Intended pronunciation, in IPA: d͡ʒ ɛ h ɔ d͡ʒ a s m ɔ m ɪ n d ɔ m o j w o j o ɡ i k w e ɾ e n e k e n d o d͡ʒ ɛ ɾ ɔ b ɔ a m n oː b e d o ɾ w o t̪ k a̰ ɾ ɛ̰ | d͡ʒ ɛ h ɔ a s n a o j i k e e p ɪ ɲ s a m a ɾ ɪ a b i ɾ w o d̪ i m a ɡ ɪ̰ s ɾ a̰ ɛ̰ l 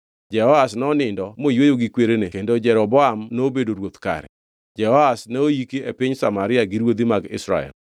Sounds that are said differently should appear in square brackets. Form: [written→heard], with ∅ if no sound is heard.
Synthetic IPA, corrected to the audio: d͡ʒ ɛ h ɔ [d͡ʒ→∅] a s [m→n] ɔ [m→n] ɪ n d ɔ m o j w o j o ɡ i k w e ɾ e n e k e n d o d͡ʒ ɛ ɾ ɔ b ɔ a m n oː b e d o ɾ w o t̪ k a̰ ɾ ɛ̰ | d͡ʒ ɛ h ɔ a s n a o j i k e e p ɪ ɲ s a m a ɾ ɪ a [b→ɡ] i ɾ w o d̪ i m a ɡ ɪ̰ s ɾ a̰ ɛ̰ l